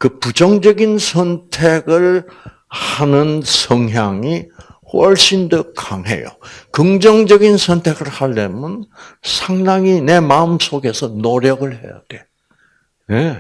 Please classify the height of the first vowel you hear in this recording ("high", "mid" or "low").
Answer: high